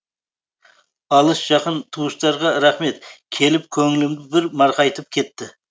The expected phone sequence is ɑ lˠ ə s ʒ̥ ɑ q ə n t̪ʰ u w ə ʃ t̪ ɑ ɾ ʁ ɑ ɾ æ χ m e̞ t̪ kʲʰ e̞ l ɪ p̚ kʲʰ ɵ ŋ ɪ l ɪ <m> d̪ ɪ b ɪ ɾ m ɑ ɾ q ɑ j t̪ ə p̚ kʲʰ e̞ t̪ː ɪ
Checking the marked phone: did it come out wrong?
no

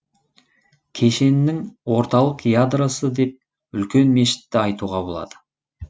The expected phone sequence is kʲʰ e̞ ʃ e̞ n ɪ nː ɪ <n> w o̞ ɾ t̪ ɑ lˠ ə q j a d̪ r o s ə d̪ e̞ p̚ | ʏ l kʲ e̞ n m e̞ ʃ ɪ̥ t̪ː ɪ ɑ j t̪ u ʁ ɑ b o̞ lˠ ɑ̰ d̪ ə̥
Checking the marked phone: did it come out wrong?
yes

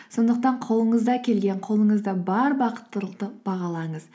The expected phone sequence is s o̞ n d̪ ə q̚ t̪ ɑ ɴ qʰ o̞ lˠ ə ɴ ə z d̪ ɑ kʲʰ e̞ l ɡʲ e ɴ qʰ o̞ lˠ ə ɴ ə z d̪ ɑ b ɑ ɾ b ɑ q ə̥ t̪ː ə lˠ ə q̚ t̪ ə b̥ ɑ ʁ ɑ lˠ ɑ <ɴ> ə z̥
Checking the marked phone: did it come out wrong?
no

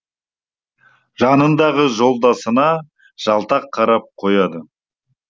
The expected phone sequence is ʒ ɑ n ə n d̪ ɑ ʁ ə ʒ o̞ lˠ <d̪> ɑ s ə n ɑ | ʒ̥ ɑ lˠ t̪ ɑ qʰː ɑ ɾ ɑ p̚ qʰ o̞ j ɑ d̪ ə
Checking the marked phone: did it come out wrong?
no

